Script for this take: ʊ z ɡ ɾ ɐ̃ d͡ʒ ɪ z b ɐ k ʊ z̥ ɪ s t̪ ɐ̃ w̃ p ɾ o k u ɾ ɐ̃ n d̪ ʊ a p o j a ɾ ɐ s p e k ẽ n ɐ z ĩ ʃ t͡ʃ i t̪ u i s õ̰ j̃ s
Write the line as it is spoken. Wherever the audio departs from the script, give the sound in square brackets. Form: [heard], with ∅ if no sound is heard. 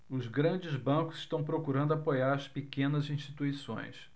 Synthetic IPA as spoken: ʊ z ɡ ɾ ɐ̃ d͡ʒ ɪ z b [ɐ̃] k ʊ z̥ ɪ [ʃ] t̪ ɐ̃ w̃ p ɾ o k u ɾ ɐ̃ n d̪ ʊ a p o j a ɾ ɐ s p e k ẽ n ɐ z ĩ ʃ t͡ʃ i t̪ u i s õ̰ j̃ s